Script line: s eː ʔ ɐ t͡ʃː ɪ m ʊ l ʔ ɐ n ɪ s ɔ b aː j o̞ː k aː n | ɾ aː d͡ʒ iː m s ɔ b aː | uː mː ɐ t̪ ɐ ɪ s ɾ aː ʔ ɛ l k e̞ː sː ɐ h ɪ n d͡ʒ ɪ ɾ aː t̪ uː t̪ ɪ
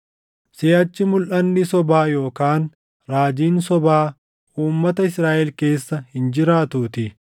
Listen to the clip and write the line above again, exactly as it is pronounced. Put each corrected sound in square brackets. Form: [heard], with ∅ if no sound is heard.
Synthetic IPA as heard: s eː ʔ ɐ t͡ʃː ɪ m ʊ l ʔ ɐ [nː] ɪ s ɔ b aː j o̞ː k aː n | ɾ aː d͡ʒ iː [n] s ɔ b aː | uː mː ɐ t̪ ɐ ɪ s ɾ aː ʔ ɛ l k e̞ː sː ɐ h ɪ n d͡ʒ ɪ ɾ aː t̪ uː t̪ ɪ